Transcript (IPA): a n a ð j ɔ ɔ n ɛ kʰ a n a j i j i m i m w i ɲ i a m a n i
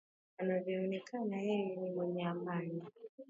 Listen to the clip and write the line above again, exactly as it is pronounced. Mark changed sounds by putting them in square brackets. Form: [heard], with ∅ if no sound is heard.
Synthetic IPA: a n a [v] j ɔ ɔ n ɛ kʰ a n a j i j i [n] i m w [ɛ] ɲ [ɛ] a m a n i